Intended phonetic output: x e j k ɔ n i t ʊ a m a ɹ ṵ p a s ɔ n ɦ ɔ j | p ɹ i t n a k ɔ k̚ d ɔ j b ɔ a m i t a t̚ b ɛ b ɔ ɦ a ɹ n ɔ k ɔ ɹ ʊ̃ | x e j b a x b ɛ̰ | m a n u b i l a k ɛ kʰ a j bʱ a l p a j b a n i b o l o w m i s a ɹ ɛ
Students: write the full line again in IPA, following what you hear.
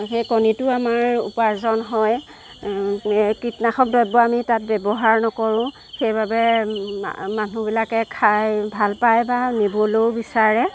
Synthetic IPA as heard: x e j k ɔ n i t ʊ a m a ɹ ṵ p a z ɔ n ɦ ɔ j | k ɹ i t n a x ɔ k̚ d ɔ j b ɔ a m i t a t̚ b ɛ b ɔ ɦ a ɹ n ɔ k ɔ ɹ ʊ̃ | x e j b a b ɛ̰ | m a n u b i l a k ɛ kʰ a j bʱ a l p a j b a n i b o l o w b i s a ɹ ɛ